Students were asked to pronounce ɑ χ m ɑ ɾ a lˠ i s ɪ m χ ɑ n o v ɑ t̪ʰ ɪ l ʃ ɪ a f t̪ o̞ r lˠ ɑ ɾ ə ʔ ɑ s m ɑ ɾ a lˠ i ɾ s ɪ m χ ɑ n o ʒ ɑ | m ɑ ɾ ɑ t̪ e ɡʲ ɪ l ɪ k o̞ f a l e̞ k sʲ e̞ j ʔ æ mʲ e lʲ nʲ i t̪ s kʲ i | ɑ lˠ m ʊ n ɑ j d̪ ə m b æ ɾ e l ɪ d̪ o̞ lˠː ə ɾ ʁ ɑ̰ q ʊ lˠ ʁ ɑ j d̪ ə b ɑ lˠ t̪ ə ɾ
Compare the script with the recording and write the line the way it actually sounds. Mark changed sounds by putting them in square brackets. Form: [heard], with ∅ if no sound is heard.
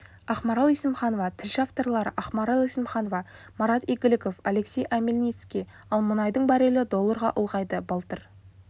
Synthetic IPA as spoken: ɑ χ m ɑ ɾ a lˠ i s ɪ m χ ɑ n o v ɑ t̪ʰ ɪ l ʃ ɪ a f t̪ o̞ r lˠ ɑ ɾ ə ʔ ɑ [χ] m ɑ ɾ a lˠ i [∅] s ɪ m χ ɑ n o [v] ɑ | m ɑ ɾ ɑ t̪ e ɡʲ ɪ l ɪ k o̞ f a l e̞ k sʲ e̞ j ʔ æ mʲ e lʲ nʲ i t̪ s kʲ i | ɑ lˠ m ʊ n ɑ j d̪ ə [ɴ] b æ ɾ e l ɪ d̪ o̞ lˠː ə ɾ ʁ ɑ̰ [ʔ] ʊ lˠ ʁ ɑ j d̪ ə b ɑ lˠ t̪ ə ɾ

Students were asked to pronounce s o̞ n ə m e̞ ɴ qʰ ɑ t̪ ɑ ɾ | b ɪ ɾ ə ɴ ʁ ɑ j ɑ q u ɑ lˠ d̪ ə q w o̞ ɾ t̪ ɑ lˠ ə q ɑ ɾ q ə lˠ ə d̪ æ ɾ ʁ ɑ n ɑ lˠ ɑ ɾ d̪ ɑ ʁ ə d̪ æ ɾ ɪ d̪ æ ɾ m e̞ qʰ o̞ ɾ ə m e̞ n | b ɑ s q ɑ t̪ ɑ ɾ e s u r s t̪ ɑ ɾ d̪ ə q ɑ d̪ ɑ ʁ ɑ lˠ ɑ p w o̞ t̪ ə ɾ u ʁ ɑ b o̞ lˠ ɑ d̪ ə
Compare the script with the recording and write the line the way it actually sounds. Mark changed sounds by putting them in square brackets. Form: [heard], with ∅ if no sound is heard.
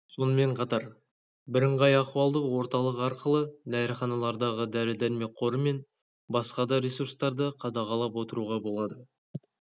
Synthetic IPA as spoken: s o̞ n ə m e̞ ɴ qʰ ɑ t̪ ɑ ɾ | b ɪ ɾ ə ɴ ʁ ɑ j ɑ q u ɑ lˠ d̪ ə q w o̞ ɾ t̪ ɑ lˠ ə q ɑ ɾ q ə lˠ ə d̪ æ ɾ [χ] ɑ n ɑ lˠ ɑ ɾ d̪ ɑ ʁ ə d̪ æ ɾ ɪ d̪ æ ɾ m e̞ qʰ o̞ ɾ ə m e̞ n | b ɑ s q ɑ [d̪] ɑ ɾ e s u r s t̪ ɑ ɾ d̪ ə [qʰ] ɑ d̪ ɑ ʁ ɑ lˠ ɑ p w o̞ t̪ ə ɾ u ʁ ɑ b o̞ lˠ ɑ d̪ ə

